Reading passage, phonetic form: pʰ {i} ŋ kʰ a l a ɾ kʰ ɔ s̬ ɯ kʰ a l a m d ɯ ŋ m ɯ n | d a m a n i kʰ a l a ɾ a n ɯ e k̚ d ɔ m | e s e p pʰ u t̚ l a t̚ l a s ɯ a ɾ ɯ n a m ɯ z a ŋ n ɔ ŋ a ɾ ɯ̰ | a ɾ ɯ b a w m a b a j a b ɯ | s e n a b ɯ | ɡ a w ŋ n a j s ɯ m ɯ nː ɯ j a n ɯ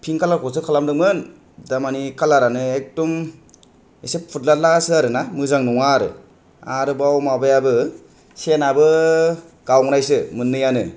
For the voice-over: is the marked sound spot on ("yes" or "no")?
yes